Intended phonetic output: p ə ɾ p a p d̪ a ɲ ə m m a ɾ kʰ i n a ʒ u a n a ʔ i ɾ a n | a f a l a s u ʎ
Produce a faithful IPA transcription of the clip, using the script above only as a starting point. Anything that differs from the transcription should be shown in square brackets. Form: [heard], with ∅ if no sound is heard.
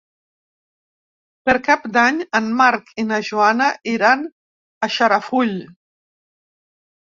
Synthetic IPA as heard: p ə ɾ [k] a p d̪ a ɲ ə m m a ɾ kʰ i n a ʒ u a n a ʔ i ɾ a n | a [ʃ] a [ɾ] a [f] u ʎ